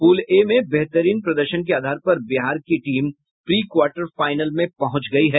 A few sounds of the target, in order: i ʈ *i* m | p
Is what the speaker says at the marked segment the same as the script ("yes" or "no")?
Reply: no